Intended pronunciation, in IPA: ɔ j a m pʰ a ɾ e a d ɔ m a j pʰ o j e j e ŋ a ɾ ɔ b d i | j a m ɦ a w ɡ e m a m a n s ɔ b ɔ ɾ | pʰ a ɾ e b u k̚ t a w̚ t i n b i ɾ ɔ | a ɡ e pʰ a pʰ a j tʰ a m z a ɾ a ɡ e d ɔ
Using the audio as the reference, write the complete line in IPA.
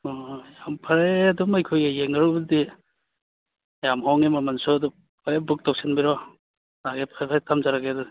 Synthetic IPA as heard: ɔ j a m pʰ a ɾ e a d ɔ m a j kʰ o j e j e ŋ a ɾ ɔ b d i | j a m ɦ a w ŋ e m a m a n s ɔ d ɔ | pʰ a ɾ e b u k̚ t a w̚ s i n b i ɾ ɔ | a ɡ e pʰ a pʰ a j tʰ a m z a ɾ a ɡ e d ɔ

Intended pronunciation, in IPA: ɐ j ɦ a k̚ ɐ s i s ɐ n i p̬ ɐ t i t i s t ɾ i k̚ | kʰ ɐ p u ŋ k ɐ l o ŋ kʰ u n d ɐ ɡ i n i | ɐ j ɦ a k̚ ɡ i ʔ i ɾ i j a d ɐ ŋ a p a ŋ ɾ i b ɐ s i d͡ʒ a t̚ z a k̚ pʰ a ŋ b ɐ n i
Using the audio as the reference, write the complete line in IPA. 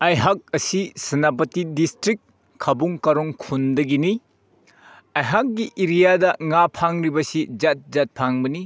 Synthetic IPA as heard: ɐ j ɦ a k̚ ɐ s i s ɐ n a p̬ ɐ t i d i s t ɾ i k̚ | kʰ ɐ b u ŋ k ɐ ɾ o ŋ kʰ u n d ɐ ɡ i n i | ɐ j ɦ a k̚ ɡ i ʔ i ɾ i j a d ɐ ŋ a pʰ a ŋ ɾ i b ɐ s i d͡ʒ a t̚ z a t̚ pʰ a ŋ b ɐ n i

